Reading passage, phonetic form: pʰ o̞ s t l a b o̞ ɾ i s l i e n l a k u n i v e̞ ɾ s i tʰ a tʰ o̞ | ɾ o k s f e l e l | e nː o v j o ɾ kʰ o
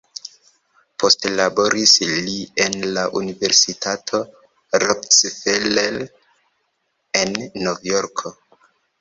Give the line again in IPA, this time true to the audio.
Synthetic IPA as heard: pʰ o̞ s t l a b o̞ ɾ i s l i e n l a ʔ u n i v e̞ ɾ s i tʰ a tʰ o̞ | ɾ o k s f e l e l | e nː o v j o ɾ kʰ o